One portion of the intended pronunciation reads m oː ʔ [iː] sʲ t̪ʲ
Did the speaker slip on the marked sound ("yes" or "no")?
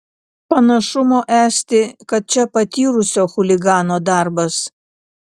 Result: yes